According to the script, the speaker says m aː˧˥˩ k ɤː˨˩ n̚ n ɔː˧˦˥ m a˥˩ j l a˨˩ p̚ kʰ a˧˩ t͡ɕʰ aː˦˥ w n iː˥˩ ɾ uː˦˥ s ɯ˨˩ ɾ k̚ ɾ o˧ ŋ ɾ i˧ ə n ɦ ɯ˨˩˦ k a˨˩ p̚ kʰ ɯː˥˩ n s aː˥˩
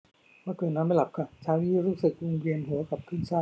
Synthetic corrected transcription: m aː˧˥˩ k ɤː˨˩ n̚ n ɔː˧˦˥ m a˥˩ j l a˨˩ p̚ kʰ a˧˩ t͡ɕʰ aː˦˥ w n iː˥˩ ɾ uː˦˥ s ɯ˨˩ k̚ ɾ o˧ ŋ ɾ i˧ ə n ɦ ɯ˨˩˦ k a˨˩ p̚ kʰ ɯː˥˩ n s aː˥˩